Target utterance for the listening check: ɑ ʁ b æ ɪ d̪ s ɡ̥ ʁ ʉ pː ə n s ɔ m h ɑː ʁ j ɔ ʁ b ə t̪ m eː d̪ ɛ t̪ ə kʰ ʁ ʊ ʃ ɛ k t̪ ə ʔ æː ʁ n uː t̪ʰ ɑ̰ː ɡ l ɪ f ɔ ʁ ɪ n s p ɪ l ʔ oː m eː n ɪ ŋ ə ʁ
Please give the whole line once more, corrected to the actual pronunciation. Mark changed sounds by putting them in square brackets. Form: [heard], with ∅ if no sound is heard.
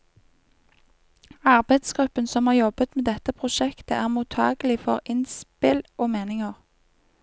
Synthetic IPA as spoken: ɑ ʁ b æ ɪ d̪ s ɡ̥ ʁ ʉ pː ə n s ɔ m h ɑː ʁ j ɔ [∅] b ə t̪ m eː d̪ ɛ t̪ ə [pʰ] ʁ ʊ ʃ ɛ k t̪ ə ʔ æː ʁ [m] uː t̪ʰ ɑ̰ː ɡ l ɪ f ɔ ʁ ɪ n s p ɪ l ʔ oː m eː n ɪ ŋ ə ʁ